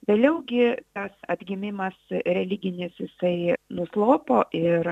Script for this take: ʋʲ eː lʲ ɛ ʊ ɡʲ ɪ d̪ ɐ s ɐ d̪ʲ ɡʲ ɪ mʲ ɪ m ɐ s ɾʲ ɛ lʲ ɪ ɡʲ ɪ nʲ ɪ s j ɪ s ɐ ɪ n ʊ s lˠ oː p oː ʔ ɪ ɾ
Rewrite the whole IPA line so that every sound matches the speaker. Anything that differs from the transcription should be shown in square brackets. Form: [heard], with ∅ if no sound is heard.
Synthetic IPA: ʋʲ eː lʲ ɛ ʊ ɡʲ ɪ [t̪] ɐ s ɐ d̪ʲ ɡʲ ɪ mʲ ɪ m ɐ s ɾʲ ɛ lʲ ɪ ɡʲ ɪ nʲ ɪ s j ɪ s ɐ ɪ n ʊ s lˠ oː p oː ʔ ɪ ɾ